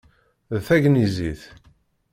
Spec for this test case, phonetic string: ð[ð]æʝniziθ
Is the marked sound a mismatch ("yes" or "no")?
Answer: yes